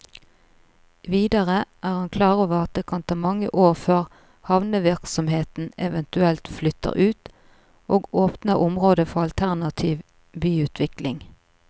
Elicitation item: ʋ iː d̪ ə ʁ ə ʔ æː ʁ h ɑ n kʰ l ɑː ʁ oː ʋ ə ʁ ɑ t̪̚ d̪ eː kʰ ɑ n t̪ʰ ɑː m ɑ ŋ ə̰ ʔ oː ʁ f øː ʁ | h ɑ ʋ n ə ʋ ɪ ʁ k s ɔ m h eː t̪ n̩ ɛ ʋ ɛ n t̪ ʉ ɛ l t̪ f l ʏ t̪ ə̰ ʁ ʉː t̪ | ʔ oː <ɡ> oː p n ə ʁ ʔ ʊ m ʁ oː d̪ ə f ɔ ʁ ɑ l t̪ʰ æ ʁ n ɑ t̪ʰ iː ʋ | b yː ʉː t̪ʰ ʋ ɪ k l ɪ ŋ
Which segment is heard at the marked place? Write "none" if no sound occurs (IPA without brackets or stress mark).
ɡ